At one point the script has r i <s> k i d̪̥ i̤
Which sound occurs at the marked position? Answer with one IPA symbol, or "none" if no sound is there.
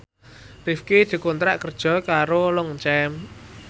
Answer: f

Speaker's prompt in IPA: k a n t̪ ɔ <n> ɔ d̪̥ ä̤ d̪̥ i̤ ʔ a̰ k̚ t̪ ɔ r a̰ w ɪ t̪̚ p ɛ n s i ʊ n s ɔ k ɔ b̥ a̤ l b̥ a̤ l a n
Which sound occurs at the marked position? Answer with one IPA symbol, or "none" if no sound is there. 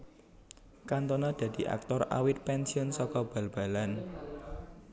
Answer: n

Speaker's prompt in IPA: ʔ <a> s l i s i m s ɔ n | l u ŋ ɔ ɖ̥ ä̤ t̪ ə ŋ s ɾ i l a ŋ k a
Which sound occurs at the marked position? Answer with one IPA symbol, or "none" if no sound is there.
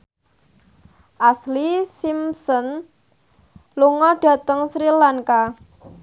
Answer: a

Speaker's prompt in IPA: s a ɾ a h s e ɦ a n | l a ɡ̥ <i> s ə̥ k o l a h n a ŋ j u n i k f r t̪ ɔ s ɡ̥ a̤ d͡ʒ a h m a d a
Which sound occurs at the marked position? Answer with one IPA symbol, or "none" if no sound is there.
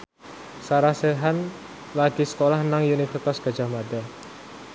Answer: i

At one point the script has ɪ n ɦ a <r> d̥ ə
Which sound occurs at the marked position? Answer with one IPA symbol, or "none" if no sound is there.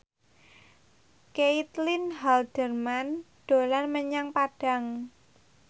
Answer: l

